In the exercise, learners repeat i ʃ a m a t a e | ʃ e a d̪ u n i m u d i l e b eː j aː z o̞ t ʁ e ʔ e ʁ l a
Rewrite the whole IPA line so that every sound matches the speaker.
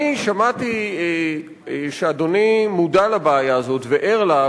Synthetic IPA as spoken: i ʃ a m a t i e | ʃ e a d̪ o n i m u d a l a b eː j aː z o̞ t v e ʔ e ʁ l a